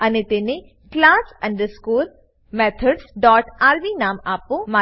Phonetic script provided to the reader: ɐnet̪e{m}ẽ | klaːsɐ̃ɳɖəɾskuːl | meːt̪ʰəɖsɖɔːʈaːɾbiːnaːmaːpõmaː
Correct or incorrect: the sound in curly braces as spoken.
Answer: incorrect: n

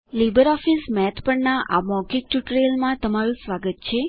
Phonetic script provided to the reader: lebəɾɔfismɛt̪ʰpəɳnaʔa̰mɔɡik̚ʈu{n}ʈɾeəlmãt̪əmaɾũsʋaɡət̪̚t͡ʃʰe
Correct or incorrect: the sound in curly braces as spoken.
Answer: incorrect: none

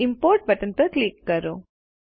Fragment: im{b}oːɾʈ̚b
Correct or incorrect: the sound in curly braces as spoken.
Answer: incorrect: p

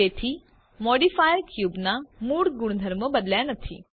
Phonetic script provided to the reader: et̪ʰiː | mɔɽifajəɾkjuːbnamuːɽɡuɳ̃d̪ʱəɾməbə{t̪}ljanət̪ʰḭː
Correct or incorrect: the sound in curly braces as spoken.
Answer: incorrect: d̪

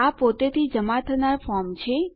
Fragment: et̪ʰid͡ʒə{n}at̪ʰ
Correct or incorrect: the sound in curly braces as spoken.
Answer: incorrect: m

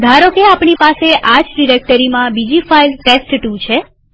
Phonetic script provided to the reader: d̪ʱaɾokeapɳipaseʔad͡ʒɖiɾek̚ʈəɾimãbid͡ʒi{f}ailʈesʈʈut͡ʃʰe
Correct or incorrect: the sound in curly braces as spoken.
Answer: correct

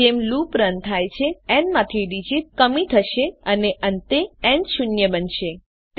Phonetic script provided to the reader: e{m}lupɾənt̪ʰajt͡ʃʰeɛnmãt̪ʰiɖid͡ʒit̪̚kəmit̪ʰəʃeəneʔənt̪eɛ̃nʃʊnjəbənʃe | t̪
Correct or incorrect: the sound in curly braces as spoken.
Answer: correct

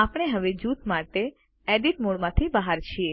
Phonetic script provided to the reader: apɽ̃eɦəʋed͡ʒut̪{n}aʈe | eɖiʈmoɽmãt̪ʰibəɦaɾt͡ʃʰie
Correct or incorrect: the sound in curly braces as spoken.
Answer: incorrect: m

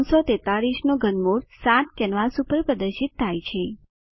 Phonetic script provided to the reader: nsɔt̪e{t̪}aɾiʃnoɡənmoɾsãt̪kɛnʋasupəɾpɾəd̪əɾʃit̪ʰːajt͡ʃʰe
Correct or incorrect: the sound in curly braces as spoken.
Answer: correct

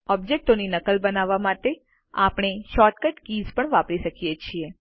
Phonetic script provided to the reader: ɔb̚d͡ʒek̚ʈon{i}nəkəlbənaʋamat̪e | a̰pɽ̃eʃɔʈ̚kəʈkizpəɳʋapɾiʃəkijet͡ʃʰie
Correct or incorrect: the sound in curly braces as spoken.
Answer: correct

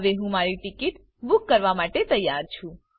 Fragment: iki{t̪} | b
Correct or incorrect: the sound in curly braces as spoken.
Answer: correct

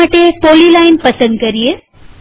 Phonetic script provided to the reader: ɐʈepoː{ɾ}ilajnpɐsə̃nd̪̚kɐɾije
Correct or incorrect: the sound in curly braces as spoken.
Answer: incorrect: l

